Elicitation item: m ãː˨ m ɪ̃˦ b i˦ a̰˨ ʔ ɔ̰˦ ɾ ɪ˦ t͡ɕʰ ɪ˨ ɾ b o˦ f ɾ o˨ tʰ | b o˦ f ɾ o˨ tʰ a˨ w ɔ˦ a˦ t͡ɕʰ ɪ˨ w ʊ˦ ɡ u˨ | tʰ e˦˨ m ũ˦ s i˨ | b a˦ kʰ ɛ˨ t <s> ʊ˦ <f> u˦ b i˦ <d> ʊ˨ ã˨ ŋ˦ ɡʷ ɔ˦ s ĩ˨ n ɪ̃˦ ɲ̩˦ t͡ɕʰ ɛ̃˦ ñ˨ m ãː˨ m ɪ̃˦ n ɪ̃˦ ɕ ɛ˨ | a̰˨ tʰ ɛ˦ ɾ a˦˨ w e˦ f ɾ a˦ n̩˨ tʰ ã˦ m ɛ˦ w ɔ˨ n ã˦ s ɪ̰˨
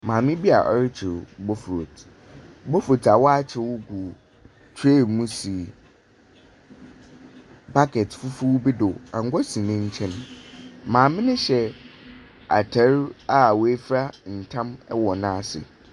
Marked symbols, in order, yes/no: no, yes, yes

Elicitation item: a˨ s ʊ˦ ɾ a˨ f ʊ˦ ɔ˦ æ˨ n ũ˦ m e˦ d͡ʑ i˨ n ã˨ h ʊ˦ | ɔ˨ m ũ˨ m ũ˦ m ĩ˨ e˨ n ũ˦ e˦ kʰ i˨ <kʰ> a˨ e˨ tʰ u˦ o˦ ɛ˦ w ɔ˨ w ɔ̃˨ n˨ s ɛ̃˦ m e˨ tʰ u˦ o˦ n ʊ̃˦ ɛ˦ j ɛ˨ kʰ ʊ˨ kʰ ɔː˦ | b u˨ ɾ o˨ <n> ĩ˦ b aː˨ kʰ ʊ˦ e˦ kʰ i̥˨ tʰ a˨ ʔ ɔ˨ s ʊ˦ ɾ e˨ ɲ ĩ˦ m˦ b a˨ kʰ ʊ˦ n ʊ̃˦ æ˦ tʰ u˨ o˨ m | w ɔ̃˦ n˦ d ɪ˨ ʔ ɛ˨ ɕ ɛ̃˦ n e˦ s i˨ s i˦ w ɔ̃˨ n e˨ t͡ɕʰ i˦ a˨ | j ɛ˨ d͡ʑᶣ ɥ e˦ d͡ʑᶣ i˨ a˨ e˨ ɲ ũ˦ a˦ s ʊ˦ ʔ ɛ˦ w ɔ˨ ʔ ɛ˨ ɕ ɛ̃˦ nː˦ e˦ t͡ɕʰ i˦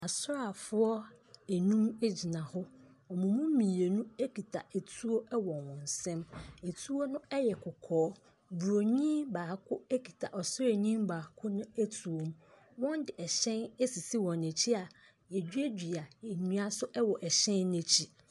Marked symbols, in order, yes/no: no, no

